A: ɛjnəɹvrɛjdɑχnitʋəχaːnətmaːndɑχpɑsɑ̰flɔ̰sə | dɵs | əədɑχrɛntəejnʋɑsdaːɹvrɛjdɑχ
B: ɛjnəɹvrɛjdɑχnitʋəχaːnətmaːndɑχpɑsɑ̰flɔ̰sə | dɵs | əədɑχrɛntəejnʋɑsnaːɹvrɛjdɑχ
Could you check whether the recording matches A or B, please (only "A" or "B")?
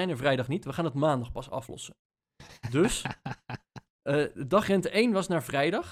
B